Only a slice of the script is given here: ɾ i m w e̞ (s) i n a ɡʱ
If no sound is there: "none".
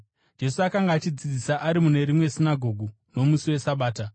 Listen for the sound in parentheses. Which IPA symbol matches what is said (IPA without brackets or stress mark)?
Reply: s